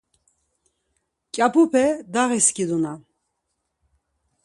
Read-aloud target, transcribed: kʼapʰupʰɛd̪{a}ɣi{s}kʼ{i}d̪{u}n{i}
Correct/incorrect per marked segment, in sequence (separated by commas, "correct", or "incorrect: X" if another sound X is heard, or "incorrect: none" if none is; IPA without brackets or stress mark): correct, correct, correct, correct, incorrect: a